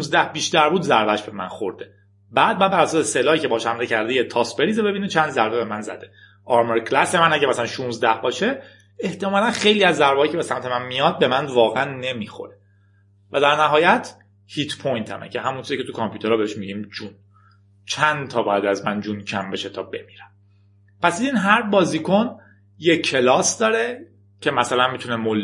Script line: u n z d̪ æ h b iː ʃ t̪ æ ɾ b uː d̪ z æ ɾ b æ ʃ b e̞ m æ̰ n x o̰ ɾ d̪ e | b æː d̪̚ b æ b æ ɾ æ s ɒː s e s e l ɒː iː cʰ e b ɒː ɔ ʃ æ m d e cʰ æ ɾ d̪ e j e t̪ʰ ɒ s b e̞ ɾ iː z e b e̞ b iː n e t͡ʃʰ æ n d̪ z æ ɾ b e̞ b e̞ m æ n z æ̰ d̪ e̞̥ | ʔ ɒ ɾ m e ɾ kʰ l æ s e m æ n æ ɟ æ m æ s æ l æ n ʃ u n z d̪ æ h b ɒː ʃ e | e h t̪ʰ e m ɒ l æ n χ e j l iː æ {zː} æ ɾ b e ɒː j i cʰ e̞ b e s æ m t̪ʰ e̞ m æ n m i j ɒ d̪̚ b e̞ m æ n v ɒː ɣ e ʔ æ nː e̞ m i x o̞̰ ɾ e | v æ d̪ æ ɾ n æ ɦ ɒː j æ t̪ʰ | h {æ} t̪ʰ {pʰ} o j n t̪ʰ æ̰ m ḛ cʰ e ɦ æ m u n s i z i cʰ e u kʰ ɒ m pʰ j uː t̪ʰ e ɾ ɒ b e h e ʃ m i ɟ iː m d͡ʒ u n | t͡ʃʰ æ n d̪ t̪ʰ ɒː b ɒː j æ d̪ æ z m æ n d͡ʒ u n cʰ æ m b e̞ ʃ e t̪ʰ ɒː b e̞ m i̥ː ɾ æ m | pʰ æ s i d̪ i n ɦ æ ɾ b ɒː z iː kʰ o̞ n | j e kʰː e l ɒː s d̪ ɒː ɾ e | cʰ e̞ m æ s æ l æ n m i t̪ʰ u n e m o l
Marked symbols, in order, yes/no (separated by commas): yes, no, yes